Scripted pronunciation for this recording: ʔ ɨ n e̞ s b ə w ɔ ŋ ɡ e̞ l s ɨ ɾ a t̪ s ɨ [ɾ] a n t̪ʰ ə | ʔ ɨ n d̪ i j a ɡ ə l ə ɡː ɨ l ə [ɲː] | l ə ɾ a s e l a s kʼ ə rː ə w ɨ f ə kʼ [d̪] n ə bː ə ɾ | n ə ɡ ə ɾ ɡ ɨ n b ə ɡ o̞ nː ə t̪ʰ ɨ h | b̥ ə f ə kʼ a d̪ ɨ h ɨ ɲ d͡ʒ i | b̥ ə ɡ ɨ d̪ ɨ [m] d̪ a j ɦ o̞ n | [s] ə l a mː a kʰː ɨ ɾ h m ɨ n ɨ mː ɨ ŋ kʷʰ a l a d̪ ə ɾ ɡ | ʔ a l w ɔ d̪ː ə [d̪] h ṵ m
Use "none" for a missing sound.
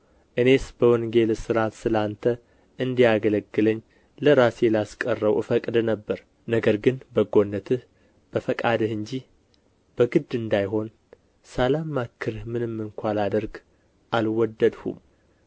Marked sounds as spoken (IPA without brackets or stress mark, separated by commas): l, ɲː, d̪, n, s, d̪